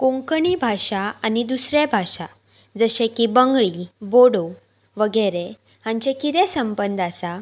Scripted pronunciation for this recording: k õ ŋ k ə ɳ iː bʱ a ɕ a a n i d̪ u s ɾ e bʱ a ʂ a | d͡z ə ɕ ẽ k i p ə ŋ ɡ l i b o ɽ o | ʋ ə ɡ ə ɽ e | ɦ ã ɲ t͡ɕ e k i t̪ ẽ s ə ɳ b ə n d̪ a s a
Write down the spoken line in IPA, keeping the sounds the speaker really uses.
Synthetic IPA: k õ ŋ k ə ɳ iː bʱ a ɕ a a n i d̪ u s ɾ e bʱ a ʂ a | d͡z ə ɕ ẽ k i b ə ŋ ɡ ɭ i b o ɽ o | ʋ ə ɡ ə ɾ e | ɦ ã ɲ t͡ɕ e k i t̪ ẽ s ə m b ə n d̪ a s a